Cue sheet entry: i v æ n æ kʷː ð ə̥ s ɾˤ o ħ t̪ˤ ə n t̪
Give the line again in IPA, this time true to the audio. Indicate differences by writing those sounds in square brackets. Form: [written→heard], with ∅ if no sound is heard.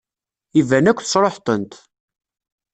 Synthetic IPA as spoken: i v æ n æ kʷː [ð→θ] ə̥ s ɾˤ o ħ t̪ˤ ə n t̪